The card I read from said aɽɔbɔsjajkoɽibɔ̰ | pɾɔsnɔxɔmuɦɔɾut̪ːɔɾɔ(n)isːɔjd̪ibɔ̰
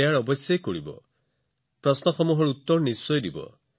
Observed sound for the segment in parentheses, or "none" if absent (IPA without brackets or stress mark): n